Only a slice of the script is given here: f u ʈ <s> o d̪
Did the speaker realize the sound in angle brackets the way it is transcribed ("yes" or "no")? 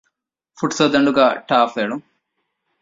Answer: yes